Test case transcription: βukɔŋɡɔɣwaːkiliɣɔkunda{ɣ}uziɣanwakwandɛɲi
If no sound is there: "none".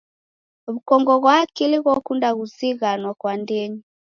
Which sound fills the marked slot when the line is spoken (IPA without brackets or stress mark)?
ɣ